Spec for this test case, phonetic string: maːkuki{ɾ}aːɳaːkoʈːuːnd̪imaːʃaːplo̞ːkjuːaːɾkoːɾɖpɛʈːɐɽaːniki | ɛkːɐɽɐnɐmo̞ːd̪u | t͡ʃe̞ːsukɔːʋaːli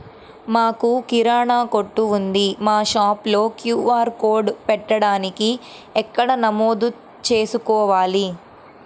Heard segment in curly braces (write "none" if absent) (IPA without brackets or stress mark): ɾ